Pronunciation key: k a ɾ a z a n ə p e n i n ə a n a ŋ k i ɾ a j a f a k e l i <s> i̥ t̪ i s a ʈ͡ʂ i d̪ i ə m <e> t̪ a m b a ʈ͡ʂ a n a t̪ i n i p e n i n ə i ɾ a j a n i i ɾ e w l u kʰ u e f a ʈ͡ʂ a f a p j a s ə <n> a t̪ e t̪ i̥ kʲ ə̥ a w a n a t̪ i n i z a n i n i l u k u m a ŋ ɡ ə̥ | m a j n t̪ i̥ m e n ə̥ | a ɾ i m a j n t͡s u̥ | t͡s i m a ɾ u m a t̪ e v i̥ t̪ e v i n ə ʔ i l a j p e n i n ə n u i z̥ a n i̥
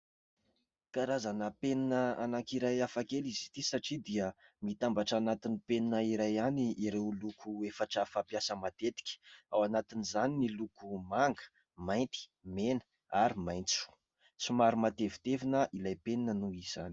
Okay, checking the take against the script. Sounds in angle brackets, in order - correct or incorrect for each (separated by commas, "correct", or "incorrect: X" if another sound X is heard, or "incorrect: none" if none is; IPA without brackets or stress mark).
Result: incorrect: z, incorrect: i, incorrect: m